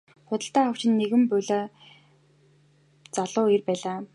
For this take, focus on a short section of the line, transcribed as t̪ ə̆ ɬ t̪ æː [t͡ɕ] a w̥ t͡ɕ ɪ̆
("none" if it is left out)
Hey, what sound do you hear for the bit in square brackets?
none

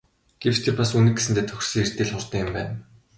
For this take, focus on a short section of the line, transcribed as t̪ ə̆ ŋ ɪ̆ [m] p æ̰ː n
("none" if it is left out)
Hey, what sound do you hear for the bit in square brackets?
m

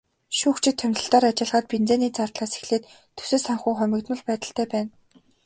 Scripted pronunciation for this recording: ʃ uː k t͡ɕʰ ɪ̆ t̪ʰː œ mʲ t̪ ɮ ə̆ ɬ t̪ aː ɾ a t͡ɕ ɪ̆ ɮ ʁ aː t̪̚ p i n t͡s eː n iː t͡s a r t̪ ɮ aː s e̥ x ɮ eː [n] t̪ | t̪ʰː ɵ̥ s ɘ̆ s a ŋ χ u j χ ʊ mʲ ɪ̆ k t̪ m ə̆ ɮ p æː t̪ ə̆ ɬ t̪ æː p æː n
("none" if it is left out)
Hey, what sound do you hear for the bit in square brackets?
none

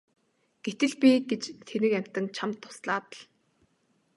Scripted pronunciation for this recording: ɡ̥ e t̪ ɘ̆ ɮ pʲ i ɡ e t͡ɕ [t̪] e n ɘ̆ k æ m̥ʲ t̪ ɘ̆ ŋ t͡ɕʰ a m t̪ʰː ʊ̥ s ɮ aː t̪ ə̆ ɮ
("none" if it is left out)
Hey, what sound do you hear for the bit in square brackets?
t̪ʰ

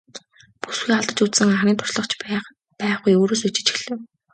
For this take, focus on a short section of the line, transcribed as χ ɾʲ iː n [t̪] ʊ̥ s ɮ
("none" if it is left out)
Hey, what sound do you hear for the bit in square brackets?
t̪ʰ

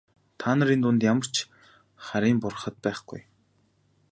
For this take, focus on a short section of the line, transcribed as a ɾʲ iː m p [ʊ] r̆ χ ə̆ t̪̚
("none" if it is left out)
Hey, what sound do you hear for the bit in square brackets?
ʊ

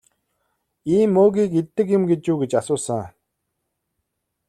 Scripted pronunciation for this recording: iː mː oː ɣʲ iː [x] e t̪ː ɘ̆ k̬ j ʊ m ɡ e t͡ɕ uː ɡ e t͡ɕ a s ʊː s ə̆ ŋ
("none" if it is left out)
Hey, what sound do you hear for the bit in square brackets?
k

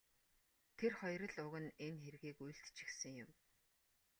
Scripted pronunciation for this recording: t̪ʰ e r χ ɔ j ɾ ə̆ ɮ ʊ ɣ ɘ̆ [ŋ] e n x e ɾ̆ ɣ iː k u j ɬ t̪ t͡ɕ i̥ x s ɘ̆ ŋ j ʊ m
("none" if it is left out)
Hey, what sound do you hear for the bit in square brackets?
n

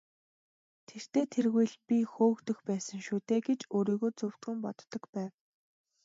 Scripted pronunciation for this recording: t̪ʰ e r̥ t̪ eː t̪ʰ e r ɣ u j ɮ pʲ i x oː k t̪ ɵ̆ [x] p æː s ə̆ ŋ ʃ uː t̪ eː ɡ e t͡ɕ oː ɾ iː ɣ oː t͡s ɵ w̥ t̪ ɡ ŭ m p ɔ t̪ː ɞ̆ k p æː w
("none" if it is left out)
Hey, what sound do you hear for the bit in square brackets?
x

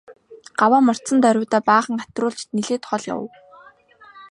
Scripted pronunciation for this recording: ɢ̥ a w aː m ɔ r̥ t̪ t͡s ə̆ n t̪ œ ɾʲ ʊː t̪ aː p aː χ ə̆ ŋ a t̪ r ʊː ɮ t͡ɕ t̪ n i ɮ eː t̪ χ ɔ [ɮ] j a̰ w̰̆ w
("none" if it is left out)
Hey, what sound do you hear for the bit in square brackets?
ɮ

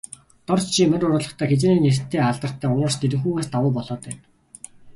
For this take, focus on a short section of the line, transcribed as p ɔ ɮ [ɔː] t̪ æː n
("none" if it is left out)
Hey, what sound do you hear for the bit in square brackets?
ɔː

